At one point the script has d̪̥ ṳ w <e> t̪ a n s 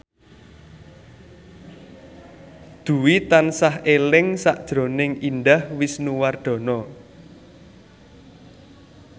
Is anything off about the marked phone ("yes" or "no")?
yes